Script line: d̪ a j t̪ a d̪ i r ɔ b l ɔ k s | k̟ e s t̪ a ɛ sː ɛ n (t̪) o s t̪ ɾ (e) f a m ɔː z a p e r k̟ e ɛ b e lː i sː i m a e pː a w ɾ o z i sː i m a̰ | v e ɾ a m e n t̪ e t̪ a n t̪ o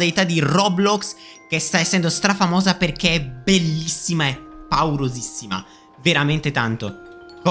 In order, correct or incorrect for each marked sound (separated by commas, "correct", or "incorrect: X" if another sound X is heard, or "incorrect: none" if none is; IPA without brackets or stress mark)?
incorrect: d̪, incorrect: a